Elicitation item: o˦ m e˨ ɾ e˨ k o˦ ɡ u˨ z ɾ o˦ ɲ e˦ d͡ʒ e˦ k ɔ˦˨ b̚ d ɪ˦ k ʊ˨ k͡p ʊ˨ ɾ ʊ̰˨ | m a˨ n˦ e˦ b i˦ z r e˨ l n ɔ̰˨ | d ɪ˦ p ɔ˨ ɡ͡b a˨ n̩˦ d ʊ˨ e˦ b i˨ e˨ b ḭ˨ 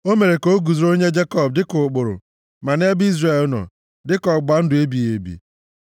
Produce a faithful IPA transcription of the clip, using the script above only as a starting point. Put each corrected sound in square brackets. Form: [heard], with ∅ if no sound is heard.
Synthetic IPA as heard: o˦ m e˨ ɾ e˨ k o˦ ɡ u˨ z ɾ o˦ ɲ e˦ d͡ʒ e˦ k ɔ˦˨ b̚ d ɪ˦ k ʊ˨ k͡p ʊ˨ ɾ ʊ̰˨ | m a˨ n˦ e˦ b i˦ z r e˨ l n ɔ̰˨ | d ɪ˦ [k] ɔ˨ ɡ͡b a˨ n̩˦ d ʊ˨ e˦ b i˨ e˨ b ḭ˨